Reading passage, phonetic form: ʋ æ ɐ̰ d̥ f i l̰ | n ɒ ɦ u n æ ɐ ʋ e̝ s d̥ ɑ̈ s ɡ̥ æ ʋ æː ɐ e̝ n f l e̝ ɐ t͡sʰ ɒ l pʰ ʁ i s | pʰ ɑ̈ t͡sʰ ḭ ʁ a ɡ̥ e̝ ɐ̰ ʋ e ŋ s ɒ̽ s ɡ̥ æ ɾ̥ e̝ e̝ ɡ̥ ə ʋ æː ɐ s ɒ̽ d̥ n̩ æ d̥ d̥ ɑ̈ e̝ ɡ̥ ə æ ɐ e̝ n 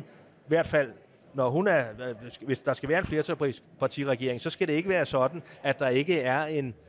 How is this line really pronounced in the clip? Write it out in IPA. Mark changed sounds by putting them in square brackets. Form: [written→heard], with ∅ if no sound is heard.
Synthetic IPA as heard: ʋ æ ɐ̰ d̥ f [i→æ] l̰ | n ɒ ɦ u n æ ɐ ʋ e̝ s d̥ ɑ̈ s ɡ̥ æ ʋ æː ɐ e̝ n f l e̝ ɐ t͡sʰ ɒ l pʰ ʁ i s | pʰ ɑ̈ t͡sʰ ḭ ʁ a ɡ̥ e̝ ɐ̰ [ʋ→∅] e ŋ s ɒ̽ s ɡ̥ æ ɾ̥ e̝ e̝ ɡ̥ ə ʋ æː ɐ s ɒ̽ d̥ n̩ æ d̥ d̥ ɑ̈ e̝ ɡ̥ ə æ ɐ e̝ n